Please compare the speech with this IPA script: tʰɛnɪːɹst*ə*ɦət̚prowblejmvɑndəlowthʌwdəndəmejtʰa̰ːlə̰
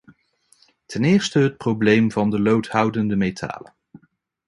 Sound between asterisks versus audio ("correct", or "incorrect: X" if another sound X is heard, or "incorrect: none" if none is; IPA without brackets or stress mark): correct